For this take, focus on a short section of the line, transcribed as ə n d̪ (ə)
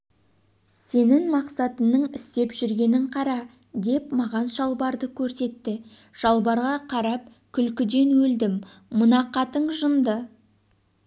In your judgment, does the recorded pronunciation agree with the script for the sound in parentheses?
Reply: yes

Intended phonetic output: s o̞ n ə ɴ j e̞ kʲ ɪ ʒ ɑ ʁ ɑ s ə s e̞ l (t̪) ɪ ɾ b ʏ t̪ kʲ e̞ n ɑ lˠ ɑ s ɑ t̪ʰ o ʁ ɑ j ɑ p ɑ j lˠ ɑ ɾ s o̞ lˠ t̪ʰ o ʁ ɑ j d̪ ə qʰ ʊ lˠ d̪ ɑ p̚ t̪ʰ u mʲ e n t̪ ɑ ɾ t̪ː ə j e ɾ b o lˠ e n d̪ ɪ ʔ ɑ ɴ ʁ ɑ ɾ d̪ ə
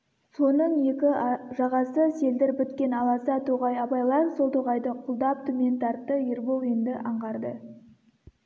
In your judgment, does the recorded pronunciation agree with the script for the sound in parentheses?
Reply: no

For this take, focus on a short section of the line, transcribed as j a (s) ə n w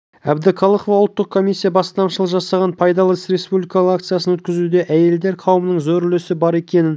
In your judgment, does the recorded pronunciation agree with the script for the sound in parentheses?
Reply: yes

